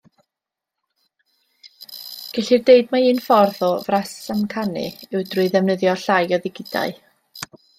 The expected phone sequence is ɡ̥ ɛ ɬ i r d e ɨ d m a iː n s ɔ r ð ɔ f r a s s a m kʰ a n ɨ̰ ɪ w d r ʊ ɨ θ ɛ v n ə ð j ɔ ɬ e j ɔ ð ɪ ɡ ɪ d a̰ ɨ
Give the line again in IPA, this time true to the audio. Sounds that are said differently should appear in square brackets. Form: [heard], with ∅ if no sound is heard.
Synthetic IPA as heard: ɡ̥ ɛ ɬ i r d e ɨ d m a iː n [f] ɔ r ð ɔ [v] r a s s a m kʰ a n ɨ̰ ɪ w d r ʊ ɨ [ð] ɛ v n ə ð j ɔ ɬ [a] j ɔ ð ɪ ɡ ɪ d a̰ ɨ